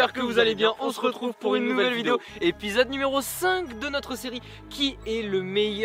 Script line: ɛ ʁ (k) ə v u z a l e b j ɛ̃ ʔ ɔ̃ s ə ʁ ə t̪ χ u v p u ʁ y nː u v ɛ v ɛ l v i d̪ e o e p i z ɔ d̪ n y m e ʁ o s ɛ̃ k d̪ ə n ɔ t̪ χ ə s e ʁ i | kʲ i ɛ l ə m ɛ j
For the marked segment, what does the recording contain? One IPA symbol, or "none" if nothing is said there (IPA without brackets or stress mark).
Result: k